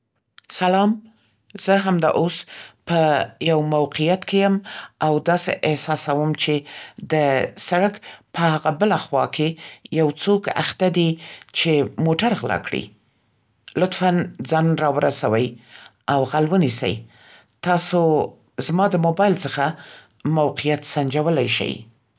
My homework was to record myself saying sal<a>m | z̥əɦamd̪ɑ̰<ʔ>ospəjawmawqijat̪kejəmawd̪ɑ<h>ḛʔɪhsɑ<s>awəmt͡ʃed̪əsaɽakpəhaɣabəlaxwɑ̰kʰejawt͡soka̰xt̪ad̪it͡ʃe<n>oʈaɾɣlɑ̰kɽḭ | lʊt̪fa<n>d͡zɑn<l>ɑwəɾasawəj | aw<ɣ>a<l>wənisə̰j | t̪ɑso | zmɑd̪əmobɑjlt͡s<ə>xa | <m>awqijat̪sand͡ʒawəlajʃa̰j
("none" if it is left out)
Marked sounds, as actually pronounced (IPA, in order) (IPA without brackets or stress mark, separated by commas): ɑ, ʔ, s, s, m, n, ɾ, ɣ, l, ə, m